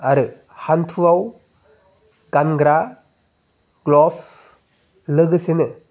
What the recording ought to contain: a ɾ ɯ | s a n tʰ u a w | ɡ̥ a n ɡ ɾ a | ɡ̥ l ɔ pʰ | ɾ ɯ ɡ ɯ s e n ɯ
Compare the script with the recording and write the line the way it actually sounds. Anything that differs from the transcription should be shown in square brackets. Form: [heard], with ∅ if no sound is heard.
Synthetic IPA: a ɾ ɯ | [h] a n tʰ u a w | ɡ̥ a n ɡ ɾ a | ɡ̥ l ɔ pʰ | [l] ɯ ɡ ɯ s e n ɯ